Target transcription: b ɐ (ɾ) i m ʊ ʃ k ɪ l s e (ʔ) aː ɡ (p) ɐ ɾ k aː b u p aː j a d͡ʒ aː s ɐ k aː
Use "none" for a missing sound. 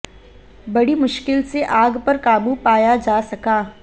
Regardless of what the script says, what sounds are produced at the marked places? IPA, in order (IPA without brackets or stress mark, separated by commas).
ɽ, ʔ, p